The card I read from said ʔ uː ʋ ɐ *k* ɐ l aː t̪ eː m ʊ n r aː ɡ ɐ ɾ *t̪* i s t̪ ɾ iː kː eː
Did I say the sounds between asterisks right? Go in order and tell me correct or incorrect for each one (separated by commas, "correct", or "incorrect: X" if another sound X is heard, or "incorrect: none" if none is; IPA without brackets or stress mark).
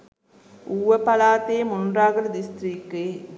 incorrect: p, incorrect: d̪